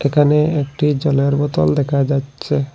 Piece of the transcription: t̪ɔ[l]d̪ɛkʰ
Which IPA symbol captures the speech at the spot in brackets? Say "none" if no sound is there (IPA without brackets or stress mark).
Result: l